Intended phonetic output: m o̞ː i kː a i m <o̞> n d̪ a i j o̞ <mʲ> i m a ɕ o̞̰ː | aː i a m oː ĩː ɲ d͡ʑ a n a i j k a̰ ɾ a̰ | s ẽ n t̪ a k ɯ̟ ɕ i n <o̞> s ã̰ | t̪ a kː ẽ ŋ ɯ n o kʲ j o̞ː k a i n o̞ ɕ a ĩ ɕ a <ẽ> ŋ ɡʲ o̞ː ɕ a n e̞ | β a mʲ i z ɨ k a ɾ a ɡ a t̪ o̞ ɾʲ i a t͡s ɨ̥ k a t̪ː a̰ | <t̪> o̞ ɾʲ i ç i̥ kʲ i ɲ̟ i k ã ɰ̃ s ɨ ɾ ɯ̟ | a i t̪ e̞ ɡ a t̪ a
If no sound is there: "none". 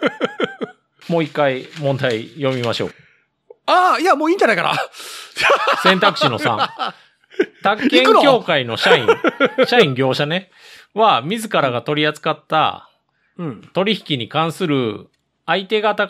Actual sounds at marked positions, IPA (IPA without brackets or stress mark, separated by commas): õ̞, mʲ, o̞, ĩ, t̪